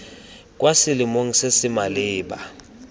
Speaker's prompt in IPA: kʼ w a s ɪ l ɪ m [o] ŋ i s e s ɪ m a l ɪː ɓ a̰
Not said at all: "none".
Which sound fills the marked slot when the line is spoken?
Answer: o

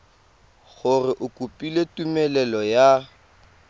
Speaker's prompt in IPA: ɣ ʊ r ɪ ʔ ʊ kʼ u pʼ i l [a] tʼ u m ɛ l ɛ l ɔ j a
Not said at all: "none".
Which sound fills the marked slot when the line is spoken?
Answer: e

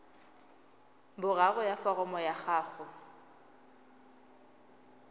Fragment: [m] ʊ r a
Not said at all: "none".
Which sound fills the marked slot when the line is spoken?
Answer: b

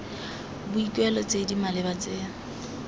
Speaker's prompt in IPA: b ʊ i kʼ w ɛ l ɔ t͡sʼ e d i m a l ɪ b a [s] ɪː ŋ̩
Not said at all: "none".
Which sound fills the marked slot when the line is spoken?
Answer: t͡s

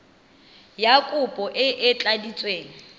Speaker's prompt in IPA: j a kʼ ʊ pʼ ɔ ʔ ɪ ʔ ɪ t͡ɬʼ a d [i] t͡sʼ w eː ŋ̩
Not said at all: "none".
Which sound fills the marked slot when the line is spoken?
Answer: i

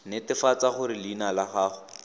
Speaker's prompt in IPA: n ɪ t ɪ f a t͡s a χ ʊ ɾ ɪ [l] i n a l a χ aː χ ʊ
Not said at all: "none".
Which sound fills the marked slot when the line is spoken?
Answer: l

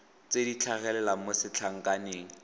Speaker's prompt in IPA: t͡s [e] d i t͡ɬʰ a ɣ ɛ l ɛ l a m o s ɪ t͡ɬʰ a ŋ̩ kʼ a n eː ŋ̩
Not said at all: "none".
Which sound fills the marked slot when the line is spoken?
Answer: e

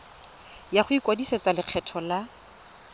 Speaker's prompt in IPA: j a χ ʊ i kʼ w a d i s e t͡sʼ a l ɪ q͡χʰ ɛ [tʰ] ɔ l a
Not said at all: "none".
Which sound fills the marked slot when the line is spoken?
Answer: tʰ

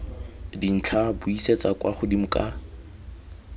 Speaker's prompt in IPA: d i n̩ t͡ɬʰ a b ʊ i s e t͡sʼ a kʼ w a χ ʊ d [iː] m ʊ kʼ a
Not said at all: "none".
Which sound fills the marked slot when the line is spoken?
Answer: i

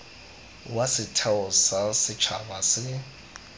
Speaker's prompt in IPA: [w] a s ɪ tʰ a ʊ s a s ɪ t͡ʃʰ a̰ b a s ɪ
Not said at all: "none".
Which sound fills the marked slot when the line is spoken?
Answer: w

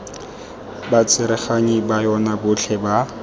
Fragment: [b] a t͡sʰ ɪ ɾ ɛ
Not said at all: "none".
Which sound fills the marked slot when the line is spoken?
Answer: b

